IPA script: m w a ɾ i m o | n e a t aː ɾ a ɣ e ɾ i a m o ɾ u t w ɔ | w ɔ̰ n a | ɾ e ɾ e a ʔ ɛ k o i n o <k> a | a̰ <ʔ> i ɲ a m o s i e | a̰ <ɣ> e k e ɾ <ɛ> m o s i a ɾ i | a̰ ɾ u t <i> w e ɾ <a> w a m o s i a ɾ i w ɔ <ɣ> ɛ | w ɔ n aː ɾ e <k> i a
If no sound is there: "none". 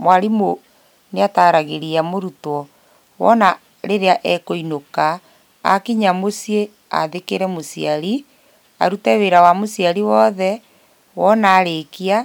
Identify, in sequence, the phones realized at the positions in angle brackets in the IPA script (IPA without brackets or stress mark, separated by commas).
k, k, ð, ɛ, ɛ, a, ð, k